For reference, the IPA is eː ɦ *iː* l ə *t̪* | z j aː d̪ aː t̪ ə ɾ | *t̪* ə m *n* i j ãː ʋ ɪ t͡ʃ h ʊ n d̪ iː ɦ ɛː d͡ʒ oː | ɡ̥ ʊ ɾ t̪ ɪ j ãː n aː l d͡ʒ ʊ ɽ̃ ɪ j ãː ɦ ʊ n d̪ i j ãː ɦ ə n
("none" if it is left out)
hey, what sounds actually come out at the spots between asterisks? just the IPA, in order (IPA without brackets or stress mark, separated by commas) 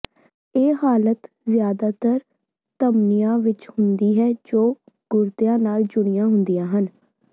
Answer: aː, t̪, t̪, n